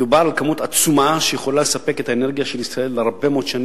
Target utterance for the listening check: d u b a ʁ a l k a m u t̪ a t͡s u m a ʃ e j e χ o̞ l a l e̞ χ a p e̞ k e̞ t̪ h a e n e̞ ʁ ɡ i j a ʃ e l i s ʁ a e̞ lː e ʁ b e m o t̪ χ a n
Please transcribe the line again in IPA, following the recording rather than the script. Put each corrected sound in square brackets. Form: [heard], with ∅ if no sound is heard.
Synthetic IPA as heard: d u b a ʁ a l k a m u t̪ a t͡s u m a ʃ e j e χ o̞ l a l e̞ [s] a p e̞ k e̞ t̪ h a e n e̞ ʁ ɡ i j a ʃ e l i s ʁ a e̞ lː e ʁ b e m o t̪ [ʃ] a n